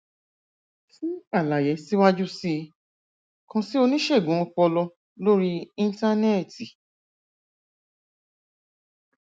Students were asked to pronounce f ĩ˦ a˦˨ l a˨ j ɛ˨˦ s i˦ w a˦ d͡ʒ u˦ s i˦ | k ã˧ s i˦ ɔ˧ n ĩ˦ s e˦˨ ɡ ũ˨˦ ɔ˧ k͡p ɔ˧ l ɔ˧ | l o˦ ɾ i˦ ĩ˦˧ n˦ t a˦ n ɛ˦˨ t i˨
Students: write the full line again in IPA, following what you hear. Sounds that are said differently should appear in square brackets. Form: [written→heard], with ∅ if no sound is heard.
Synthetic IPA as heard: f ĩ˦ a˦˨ l a˨ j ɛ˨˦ s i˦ w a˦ d͡ʒ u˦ s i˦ | k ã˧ s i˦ [ɔ˧→o˧] n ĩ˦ [s→ʃ] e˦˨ ɡ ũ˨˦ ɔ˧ k͡p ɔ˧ l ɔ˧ | l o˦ ɾ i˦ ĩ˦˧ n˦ t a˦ n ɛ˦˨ t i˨

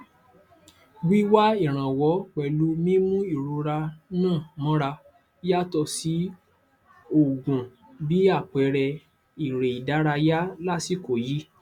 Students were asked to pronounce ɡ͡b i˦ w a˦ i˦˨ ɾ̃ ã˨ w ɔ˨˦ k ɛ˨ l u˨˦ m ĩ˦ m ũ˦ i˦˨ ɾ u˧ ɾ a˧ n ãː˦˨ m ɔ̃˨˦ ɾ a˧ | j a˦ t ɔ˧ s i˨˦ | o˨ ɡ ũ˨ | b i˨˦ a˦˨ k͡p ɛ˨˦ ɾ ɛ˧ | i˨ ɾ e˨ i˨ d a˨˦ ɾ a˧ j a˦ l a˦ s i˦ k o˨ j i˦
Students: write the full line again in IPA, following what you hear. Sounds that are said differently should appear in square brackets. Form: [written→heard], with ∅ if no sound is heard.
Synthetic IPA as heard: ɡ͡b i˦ w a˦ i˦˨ ɾ̃ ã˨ w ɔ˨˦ [k→k͡p] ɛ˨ l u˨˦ m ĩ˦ m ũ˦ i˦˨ ɾ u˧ ɾ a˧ n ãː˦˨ m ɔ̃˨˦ ɾ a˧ | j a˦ t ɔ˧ s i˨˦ | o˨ ɡ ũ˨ | b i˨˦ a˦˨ k͡p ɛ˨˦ ɾ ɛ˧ | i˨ ɾ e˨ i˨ d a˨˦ ɾ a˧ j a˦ l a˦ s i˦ k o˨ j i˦

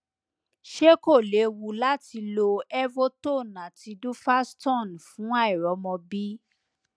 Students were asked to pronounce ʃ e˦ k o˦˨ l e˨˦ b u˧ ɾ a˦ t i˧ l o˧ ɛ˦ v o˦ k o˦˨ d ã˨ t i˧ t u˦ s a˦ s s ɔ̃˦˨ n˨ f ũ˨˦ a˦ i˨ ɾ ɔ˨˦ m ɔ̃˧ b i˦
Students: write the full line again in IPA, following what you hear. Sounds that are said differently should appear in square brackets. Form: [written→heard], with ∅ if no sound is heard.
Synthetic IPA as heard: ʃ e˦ k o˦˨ l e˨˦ [b→w] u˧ [ɾ→l] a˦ t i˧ l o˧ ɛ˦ v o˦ [k→t] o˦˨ [d→n] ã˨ t i˧ [t→d] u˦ [s→f] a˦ s [s→t] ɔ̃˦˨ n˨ f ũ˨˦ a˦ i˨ ɾ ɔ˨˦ m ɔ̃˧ b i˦

